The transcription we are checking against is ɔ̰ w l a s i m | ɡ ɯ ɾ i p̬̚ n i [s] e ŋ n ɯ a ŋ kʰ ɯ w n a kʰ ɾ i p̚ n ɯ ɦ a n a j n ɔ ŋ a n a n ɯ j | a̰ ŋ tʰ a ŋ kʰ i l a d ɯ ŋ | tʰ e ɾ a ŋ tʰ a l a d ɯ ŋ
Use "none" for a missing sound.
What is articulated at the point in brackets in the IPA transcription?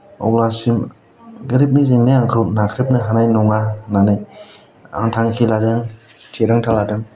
z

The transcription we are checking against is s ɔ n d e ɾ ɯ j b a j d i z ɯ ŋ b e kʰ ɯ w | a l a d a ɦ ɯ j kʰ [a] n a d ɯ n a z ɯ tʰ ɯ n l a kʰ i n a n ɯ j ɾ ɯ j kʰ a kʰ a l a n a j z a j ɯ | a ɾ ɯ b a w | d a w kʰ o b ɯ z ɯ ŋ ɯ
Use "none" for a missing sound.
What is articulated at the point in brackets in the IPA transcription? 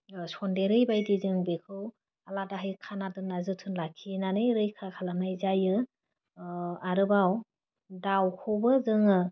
a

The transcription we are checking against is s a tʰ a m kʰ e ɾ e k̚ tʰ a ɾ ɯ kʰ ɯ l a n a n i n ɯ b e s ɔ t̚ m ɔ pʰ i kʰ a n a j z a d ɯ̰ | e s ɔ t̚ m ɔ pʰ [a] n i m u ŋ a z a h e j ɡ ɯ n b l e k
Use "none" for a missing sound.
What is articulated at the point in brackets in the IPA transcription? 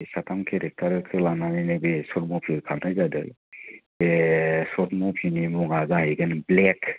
i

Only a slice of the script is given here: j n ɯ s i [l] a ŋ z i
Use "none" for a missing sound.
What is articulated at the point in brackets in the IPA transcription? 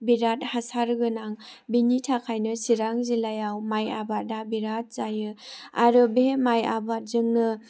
ɾ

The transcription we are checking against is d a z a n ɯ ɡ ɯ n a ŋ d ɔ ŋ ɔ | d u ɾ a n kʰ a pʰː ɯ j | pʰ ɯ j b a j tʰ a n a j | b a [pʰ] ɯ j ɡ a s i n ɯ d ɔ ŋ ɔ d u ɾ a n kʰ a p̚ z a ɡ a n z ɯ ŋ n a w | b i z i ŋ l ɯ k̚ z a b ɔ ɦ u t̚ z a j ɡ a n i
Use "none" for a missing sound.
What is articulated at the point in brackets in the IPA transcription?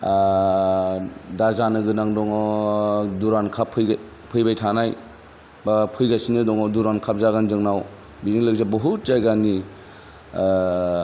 pʰ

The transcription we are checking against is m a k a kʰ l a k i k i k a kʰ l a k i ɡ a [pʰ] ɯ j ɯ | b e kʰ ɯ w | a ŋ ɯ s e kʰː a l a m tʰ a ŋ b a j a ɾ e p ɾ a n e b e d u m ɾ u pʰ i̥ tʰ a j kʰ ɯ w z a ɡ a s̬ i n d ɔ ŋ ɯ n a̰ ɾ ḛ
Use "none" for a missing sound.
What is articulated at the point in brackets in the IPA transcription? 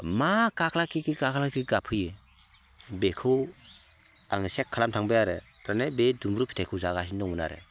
pʰ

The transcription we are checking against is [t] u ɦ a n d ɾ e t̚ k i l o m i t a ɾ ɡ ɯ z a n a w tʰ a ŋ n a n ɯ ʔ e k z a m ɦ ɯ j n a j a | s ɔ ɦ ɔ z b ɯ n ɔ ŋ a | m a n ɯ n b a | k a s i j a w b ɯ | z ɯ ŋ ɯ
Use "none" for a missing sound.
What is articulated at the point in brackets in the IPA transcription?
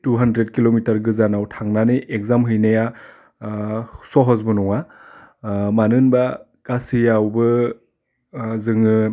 t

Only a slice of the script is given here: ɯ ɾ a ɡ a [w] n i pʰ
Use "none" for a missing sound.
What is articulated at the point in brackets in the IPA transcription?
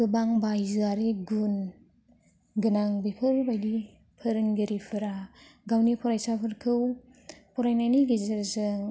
w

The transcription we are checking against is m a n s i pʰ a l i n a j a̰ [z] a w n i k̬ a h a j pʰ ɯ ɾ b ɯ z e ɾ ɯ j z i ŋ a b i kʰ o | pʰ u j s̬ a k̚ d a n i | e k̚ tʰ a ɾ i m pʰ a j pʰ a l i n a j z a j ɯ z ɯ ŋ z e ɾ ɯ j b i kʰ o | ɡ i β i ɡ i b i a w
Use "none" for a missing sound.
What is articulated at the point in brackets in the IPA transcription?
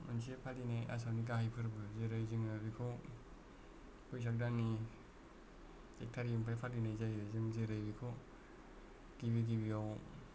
s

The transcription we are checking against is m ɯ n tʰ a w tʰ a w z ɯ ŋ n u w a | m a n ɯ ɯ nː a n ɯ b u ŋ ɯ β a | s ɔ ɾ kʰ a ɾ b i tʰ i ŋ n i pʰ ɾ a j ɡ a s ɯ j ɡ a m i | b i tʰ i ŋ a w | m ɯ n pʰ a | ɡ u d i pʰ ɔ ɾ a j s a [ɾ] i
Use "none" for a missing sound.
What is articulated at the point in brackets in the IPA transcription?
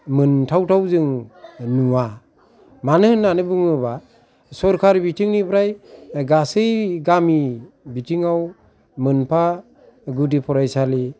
l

